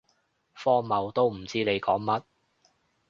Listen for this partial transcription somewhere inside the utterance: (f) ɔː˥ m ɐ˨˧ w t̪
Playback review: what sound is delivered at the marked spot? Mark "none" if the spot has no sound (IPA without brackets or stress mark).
f